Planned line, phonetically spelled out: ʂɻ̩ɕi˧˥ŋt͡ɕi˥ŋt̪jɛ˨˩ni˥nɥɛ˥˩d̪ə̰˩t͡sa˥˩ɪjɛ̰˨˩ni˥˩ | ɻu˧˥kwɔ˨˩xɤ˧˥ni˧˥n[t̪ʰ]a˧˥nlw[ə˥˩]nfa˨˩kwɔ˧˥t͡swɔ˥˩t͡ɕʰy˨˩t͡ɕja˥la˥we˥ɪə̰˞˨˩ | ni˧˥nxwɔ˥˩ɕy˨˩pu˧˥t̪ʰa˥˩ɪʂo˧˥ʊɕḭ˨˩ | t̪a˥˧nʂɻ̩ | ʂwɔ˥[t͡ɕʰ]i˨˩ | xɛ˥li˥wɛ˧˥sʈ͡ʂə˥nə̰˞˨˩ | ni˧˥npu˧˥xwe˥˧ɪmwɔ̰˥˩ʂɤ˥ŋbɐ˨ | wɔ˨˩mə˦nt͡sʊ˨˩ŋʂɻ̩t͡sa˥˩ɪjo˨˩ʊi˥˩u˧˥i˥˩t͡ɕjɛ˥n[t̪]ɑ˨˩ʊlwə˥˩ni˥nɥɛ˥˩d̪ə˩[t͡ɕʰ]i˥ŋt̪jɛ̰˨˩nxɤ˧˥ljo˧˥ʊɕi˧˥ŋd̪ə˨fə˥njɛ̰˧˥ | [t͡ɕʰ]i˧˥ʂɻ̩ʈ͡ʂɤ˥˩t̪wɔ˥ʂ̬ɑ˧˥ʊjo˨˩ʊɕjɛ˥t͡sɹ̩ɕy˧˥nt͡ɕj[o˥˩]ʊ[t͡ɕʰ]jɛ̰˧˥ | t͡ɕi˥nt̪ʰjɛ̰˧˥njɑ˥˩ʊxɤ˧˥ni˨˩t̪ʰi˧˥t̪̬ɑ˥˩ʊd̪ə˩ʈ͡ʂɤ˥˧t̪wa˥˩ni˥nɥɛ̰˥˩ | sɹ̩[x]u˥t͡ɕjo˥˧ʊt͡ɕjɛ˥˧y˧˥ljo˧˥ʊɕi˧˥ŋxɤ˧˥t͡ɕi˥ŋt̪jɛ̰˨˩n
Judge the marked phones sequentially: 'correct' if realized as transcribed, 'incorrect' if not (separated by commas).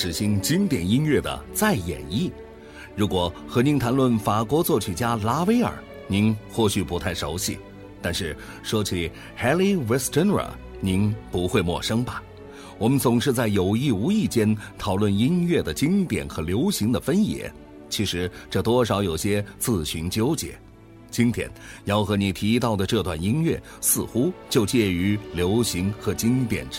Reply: correct, correct, correct, incorrect, incorrect, correct, incorrect, incorrect, correct